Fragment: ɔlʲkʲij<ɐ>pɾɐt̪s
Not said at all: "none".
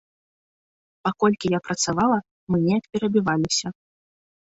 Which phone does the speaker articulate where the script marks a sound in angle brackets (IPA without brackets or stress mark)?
a